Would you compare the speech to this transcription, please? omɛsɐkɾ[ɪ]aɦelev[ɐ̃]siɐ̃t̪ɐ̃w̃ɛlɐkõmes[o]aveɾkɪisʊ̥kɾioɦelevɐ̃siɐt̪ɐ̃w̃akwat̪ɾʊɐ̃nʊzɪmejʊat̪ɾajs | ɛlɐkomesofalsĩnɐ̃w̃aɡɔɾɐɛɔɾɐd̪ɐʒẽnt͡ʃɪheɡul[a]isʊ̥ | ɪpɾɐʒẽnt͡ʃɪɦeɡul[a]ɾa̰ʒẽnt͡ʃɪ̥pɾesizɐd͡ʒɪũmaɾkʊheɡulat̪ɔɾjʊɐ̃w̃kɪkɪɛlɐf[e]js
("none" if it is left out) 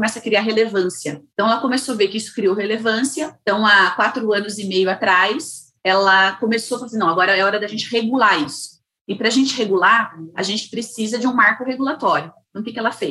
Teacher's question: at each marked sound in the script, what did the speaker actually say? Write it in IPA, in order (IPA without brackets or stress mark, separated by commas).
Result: i, ɐ̃, o, a, a, e